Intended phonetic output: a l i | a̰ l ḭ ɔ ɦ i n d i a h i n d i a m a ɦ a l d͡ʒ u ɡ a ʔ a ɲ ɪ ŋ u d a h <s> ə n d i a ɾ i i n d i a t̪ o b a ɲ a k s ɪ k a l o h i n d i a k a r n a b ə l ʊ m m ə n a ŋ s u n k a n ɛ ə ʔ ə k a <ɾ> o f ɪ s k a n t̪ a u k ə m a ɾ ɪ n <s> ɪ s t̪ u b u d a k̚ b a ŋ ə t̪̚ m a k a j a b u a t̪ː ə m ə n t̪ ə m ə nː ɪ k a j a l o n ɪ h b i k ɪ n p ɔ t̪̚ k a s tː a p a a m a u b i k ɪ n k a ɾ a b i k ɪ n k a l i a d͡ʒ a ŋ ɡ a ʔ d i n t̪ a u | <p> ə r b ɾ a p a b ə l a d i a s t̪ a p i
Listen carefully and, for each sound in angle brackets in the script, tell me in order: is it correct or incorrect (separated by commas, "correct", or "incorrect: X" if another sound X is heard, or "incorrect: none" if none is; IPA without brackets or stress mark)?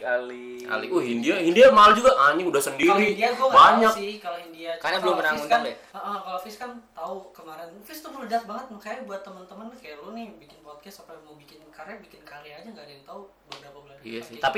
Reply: correct, incorrect: l, incorrect: f, incorrect: b